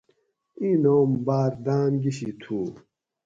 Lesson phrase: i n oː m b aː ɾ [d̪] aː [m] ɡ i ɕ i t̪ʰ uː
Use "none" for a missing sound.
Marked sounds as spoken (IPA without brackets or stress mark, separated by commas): d̪, n